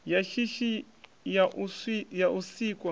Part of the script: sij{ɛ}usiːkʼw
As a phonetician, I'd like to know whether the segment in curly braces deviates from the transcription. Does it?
yes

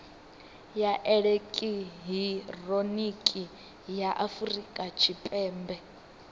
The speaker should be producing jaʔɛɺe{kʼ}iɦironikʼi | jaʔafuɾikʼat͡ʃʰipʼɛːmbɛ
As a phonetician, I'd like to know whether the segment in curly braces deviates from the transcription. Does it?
no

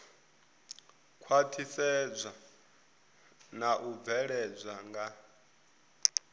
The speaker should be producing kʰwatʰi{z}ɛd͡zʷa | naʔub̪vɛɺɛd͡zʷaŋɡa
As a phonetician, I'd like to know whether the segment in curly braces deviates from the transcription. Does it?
yes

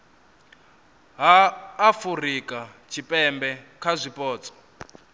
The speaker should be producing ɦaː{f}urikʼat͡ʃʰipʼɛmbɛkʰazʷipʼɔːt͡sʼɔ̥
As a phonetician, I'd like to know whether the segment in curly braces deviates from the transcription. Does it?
no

